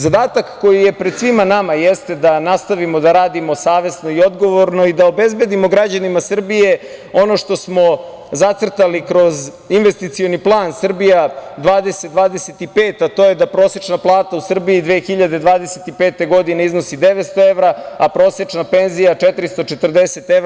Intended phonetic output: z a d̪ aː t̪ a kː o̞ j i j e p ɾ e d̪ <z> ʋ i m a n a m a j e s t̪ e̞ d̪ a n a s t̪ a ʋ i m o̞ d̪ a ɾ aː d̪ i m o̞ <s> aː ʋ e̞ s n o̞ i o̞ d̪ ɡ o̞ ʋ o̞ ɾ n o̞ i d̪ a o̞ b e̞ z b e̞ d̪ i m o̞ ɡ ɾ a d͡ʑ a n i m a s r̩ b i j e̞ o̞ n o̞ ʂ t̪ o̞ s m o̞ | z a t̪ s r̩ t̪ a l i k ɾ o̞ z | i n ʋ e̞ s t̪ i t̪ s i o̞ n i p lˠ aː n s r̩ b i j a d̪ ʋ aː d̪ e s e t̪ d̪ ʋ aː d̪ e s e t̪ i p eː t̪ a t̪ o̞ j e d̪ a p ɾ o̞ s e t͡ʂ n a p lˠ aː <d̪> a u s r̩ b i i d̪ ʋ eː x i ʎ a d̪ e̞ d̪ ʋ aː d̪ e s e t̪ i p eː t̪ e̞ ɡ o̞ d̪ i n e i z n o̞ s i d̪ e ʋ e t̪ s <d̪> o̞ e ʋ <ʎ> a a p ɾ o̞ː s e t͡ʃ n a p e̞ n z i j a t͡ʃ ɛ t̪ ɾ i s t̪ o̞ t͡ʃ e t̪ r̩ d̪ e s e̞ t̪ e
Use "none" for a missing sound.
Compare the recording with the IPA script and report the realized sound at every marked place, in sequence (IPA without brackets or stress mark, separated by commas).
s, s, t̪, t̪, ɾ